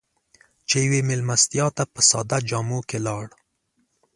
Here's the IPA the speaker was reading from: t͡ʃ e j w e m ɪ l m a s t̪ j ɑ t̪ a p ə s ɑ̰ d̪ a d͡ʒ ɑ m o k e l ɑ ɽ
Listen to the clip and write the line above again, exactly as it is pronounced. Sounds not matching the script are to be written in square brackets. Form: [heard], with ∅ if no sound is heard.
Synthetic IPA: t͡ʃ e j w e m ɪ l m a s t̪ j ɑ t̪ a p ə s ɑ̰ d̪ a d͡ʒ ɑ m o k e l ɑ ɽ